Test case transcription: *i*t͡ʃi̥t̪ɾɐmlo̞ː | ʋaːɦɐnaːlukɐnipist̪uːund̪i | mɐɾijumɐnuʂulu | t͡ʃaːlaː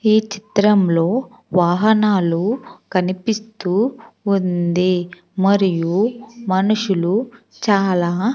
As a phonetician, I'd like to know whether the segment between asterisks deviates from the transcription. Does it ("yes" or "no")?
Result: yes